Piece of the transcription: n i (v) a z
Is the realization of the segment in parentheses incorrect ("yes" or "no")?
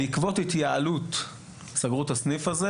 yes